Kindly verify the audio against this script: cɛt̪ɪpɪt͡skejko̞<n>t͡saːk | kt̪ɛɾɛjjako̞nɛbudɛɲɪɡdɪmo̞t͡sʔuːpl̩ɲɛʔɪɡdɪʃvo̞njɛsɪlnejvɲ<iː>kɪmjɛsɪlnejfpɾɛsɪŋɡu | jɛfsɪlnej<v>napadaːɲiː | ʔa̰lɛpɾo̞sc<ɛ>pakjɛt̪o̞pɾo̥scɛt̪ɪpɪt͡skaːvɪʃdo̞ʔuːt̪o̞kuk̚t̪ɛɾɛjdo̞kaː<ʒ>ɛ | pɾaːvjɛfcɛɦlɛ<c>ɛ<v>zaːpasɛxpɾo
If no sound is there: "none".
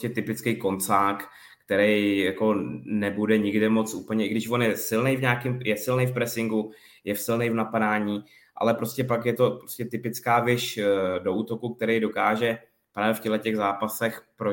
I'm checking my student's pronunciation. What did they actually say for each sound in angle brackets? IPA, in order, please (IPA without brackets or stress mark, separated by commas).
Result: n, aː, v, ɛ, ʒ, c, ɣ